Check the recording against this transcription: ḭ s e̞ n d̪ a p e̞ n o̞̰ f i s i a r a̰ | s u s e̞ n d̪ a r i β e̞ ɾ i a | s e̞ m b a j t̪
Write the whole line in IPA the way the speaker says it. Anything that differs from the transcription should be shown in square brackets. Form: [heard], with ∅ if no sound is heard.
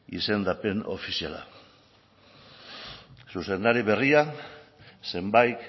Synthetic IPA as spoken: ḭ s e̞ n d̪ a p e̞ n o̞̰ f i s i a [l] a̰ | s u s e̞ n d̪ a [ɾ] i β e̞ [r] i a | s e̞ m b a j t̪